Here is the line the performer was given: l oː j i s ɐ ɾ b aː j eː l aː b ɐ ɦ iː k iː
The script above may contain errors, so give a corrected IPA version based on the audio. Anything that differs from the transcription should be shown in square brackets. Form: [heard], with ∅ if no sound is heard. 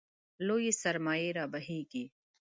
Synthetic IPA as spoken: l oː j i s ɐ ɾ [m] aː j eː [ɾ] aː b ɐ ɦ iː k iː